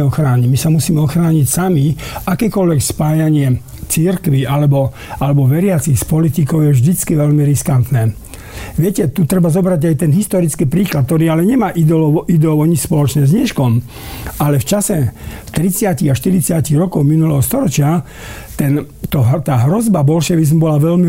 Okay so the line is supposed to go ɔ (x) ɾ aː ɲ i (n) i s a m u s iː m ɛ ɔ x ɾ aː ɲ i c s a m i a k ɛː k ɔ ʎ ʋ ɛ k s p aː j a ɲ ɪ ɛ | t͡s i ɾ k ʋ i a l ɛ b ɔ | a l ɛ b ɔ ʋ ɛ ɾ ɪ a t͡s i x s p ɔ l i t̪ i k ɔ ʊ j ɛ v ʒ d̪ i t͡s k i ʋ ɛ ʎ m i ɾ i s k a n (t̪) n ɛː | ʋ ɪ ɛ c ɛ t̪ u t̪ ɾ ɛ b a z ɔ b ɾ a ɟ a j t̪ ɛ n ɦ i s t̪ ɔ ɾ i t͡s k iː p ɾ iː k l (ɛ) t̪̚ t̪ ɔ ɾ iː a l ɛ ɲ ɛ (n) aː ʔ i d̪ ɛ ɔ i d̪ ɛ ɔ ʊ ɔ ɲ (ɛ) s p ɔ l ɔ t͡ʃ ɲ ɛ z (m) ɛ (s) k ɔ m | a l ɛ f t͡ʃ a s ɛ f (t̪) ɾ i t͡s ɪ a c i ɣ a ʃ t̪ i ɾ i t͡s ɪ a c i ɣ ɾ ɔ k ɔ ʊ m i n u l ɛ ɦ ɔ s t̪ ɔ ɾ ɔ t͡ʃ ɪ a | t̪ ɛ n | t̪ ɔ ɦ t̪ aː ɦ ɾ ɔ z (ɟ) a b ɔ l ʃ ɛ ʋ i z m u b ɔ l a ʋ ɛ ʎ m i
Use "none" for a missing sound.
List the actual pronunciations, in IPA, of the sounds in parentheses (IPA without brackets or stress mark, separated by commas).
x, m, t̪, a, m, i, ɲ, ʃ, t̪, b